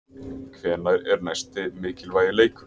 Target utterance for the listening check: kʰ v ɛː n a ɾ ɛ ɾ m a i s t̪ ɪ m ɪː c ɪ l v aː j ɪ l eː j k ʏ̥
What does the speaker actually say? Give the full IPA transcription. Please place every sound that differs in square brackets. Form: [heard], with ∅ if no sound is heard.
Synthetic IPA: kʰ v ɛː n a ɾ ɛ ɾ [n] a [j] s t̪ ɪ m ɪː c ɪ l v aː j ɪ l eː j k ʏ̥